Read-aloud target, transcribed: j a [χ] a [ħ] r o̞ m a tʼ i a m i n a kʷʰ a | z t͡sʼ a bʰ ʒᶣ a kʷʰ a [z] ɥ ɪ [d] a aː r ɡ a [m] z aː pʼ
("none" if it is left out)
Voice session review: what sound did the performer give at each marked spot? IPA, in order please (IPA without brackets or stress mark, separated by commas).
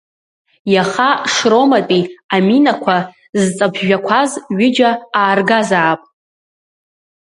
χ, ʂ, z, d͡ʒ, none